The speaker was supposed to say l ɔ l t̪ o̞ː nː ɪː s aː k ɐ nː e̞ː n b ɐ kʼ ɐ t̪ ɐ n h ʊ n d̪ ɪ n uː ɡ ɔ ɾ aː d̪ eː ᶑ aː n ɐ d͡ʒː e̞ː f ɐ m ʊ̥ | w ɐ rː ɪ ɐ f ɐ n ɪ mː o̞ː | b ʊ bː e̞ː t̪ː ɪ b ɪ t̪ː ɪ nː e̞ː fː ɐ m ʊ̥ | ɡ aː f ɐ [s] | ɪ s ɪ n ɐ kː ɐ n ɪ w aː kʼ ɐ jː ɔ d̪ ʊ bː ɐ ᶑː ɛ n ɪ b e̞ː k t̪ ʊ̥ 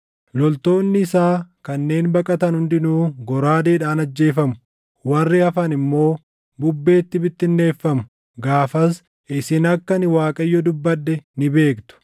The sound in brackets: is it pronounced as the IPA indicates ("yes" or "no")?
yes